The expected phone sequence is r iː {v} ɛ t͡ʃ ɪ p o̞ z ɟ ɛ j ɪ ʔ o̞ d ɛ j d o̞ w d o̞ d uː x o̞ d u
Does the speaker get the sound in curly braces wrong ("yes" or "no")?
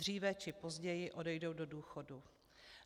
no